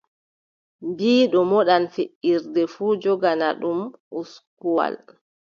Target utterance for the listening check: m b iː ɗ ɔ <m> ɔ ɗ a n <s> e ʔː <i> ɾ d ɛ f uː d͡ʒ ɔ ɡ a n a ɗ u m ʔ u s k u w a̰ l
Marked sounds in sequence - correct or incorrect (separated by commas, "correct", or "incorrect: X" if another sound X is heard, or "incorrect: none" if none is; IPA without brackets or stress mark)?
correct, incorrect: f, correct